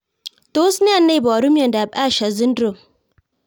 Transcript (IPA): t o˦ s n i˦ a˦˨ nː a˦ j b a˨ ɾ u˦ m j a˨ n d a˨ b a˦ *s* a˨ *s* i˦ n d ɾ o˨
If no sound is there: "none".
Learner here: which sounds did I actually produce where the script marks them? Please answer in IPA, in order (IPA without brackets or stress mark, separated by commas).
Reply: ʃ, z